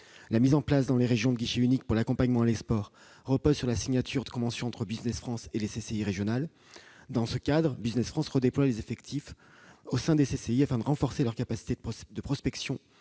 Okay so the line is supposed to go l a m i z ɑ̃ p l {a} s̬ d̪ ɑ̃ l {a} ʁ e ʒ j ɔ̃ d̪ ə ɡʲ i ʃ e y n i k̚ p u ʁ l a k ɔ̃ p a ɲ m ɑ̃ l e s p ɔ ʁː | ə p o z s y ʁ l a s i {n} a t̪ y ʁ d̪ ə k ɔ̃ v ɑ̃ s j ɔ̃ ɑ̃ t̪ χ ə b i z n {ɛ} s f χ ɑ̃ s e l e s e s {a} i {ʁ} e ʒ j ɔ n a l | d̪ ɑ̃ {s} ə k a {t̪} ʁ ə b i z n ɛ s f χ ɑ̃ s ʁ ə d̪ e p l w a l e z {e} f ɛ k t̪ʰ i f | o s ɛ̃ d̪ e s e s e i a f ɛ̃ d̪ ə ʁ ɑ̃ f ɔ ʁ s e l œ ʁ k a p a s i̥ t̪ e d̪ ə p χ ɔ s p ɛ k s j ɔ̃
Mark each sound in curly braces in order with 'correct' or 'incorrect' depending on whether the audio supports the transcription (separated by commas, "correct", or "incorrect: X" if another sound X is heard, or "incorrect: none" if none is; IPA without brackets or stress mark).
correct, incorrect: e, incorrect: ɲ, correct, incorrect: e, correct, correct, incorrect: d̪, correct